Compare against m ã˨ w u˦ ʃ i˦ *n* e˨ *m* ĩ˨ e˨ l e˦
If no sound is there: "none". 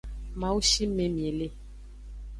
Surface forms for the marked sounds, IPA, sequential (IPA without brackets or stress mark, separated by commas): m, m